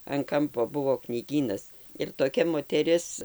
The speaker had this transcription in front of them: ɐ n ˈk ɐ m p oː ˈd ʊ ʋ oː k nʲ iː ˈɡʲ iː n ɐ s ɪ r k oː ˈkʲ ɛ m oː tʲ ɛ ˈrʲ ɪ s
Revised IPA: ɐ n ˈk ɐ m p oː ˈb ʊ ʋ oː k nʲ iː ˈɡʲ iː n ɐ s ɪ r t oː ˈkʲ ɛ m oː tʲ ɛ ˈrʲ ɪ s

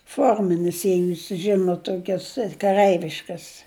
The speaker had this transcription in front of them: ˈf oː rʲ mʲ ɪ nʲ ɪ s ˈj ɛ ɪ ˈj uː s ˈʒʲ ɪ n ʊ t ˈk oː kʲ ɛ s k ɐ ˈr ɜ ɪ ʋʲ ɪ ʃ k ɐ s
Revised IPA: ˈf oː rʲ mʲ ɪ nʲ ɪ s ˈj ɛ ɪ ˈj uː s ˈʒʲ ɪ n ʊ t ˈt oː kʲ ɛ s k ɐ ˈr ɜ ɪ ʋʲ ɪ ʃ k ɐ s

